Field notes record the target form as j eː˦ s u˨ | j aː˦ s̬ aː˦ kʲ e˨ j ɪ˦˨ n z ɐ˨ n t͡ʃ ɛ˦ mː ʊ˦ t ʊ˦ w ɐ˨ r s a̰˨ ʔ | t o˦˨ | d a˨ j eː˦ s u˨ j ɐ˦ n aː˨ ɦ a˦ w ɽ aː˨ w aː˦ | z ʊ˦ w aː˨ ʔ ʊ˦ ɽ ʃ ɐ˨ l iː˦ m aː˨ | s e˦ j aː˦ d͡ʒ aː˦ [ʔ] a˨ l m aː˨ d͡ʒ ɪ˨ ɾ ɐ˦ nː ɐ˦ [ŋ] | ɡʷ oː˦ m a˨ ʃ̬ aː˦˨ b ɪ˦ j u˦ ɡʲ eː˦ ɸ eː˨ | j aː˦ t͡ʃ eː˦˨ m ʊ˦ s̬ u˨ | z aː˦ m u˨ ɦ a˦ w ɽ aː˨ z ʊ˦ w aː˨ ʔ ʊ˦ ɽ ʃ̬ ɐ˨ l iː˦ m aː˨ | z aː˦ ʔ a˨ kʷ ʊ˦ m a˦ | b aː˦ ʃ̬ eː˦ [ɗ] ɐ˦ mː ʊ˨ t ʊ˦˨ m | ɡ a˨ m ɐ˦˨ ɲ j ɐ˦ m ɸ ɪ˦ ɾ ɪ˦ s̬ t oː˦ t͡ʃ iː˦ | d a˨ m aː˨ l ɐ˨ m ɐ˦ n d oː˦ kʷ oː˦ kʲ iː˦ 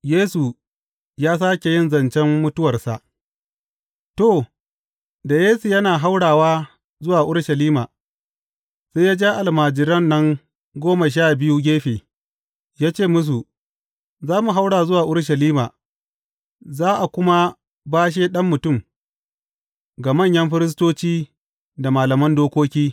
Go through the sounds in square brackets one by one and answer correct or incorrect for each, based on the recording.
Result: correct, correct, correct

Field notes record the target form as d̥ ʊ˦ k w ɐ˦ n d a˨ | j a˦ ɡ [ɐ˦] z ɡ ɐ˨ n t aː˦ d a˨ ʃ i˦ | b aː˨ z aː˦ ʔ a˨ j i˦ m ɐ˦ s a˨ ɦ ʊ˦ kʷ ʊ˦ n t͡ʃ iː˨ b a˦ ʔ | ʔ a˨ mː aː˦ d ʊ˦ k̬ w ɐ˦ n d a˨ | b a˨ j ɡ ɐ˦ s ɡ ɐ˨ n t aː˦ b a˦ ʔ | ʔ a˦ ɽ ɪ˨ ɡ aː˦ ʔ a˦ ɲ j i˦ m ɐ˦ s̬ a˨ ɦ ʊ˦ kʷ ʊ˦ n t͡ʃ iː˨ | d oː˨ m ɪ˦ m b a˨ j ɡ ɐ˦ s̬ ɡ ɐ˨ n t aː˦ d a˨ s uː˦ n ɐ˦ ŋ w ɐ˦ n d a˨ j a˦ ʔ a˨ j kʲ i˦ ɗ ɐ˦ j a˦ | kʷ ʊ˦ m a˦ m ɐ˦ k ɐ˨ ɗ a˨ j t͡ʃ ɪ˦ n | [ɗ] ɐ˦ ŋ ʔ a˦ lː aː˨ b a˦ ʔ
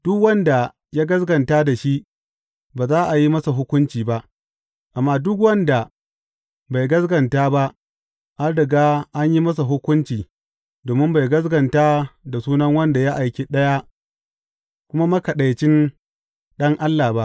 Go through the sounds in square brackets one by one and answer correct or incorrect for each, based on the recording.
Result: correct, correct

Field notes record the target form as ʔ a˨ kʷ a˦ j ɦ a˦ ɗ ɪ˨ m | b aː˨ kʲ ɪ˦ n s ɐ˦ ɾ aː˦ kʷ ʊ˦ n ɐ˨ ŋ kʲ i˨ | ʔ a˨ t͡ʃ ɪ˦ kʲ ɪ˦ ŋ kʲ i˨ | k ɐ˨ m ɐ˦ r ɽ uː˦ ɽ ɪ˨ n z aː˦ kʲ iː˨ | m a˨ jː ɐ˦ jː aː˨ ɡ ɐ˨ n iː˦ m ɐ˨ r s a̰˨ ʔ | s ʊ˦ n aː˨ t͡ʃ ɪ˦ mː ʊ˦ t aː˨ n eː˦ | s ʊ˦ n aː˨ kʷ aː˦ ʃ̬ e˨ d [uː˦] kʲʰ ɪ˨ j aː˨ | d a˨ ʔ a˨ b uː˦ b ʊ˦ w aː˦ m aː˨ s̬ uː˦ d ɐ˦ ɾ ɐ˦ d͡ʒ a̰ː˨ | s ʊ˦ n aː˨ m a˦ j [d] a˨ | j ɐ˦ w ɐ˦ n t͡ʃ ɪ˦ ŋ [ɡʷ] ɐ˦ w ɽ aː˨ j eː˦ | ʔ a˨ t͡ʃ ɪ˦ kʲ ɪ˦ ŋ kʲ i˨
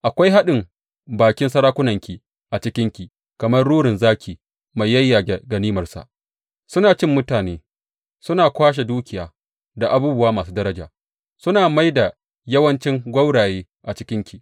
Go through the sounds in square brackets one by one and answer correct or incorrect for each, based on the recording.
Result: correct, correct, correct

